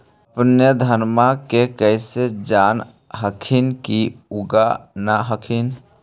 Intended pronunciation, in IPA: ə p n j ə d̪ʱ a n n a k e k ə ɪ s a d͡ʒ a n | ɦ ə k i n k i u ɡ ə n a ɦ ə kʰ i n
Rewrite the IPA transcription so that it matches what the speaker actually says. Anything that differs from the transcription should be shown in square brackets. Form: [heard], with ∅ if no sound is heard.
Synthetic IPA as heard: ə p n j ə d̪ʱ [ə] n [m] a k e k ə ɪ s [e] d͡ʒ a n | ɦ ə [kʰ] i n k i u ɡ [a] n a ɦ ə kʰ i n